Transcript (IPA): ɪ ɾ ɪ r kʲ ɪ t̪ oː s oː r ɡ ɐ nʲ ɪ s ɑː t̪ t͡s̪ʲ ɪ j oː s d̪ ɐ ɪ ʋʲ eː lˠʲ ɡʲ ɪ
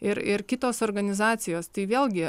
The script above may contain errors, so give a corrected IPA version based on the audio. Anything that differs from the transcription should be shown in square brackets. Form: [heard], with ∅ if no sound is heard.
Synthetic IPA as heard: ɪ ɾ ɪ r kʲ ɪ t̪ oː s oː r ɡ ɐ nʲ ɪ [z] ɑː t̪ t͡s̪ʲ ɪ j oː s [t̪] ɐ ɪ ʋʲ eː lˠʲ ɡʲ ɪ